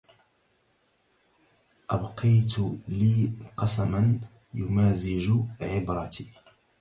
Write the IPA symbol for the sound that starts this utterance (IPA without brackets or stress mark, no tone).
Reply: ʔ